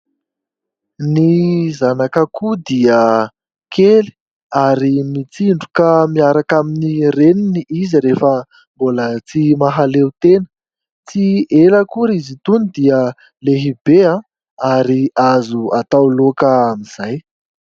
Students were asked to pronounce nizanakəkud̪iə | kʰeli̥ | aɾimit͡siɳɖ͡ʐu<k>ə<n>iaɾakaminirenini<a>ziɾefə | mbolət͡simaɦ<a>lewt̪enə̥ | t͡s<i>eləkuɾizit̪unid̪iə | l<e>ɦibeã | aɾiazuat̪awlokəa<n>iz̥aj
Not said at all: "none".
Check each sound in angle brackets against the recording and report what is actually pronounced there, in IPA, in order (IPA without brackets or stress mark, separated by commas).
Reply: k, m, i, a, i, e, m